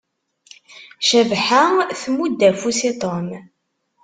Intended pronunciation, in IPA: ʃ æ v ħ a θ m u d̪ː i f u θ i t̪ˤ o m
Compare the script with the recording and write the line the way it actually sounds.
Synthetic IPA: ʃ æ v ħ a θ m u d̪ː æ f u s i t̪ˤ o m